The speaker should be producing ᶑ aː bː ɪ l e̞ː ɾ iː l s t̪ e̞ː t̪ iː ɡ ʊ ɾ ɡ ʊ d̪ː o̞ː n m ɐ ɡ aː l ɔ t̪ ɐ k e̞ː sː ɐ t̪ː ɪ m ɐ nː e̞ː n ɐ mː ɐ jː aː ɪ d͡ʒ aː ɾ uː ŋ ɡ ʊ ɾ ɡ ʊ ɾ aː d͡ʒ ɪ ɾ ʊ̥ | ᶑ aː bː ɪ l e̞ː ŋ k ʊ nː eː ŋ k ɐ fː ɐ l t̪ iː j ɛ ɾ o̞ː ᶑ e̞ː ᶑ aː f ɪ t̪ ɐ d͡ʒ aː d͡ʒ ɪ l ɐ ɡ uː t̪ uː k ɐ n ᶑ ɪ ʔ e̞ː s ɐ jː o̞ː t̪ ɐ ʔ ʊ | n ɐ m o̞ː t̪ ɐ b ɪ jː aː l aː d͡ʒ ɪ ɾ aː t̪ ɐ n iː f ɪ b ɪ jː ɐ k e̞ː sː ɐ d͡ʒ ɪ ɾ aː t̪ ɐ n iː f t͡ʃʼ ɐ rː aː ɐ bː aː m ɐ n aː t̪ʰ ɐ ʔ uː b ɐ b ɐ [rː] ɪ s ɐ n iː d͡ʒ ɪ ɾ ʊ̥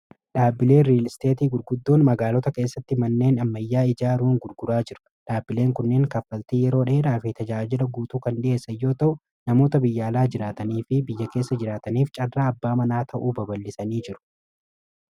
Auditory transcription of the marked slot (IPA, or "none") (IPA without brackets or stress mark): lː